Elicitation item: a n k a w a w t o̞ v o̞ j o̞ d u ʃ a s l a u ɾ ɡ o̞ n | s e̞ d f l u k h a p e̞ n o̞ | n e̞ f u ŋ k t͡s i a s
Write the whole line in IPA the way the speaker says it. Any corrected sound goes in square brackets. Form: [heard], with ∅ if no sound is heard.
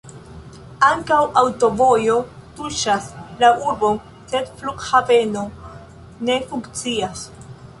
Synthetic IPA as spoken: a [ŋ] k a w a w t o̞ v o̞ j o̞ [t] u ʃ a s l a u ɾ [b] o̞ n | s e̞ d f l u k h a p e̞ n o̞ | n e̞ f u ŋ k t͡s i a s